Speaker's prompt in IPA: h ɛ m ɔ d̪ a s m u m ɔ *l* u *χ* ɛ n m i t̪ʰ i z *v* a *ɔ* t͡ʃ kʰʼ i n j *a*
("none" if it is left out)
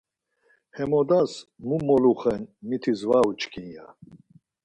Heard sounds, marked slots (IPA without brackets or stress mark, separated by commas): l, χ, v, u, a